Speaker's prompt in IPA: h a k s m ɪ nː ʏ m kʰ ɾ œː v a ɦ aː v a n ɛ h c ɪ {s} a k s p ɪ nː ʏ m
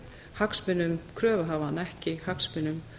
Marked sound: incorrect: h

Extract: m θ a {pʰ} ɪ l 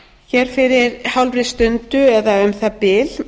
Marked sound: incorrect: p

